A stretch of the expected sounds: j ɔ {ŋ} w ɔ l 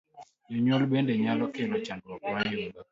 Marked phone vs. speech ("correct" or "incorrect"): incorrect